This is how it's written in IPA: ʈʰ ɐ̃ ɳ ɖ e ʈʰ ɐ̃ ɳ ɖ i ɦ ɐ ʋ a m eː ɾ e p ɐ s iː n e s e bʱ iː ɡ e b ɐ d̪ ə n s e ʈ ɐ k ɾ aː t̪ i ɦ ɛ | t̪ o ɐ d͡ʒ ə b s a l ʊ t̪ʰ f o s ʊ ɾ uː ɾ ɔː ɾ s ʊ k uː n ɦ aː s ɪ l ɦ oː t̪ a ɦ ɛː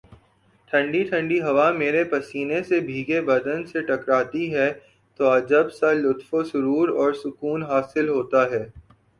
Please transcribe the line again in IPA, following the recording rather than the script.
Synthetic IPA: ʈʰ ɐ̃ ɳ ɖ i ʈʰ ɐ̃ ɳ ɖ i ɦ ɐ ʋ a m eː ɾ e p ɐ s iː n e s e bʱ iː ɡ e b ɐ d̪ ə n s e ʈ ɐ k ɾ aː t̪ i ɦ ɛ | t̪ o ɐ d͡ʒ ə b s a l ʊ t̪ f o s ʊ ɾ uː ɾ ɔː ɾ s ʊ k uː n ɦ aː s ɪ l ɦ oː t̪ a ɦ ɛː